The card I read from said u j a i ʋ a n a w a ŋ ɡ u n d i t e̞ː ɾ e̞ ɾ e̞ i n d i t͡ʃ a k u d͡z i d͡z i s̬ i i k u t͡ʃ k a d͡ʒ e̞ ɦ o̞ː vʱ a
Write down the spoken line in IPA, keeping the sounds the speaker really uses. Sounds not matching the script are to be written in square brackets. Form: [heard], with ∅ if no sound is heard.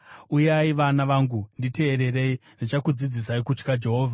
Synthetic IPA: u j a i ʋ a n a [ʋ] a ŋ ɡ u n d i t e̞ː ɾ e̞ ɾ e̞ i n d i t͡ʃ a k u d͡z i d͡z i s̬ [a] i k u t͡ʃ k a d͡ʒ e̞ ɦ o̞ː vʱ a